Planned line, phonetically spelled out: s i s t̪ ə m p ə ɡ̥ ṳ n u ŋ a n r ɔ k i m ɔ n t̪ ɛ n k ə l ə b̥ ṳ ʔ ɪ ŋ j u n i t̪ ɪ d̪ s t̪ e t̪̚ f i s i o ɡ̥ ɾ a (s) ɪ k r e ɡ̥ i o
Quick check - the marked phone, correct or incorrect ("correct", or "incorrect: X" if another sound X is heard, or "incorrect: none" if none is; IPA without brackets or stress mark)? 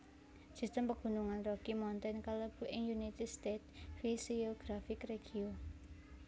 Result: incorrect: f